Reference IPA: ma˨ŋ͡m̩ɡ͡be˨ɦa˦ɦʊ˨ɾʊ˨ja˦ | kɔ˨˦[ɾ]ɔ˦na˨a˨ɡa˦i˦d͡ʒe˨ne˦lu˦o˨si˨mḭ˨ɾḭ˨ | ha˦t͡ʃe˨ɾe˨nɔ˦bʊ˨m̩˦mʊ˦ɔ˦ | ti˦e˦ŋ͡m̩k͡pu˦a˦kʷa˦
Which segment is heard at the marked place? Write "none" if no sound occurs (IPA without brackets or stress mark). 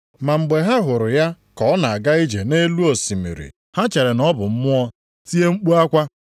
none